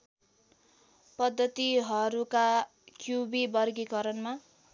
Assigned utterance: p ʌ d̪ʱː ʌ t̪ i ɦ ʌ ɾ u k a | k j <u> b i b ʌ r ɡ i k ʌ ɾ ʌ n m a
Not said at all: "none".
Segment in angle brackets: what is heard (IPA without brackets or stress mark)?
u